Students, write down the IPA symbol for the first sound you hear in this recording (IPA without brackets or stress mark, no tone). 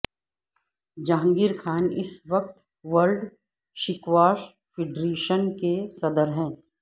d͡ʒ